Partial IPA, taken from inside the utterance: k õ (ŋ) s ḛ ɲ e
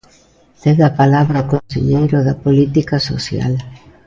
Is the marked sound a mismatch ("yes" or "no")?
yes